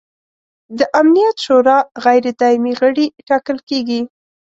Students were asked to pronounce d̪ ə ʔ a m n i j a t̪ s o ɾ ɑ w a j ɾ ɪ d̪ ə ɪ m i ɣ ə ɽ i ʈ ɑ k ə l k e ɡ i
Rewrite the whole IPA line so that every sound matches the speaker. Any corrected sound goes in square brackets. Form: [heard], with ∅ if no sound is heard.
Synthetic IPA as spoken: d̪ ə ʔ a m n i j a t̪ [ʃ] o ɾ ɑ [ɣ] a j ɾ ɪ d̪ [ɑ] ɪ m i ɣ ə ɽ i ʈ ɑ k ə l k e ɡ i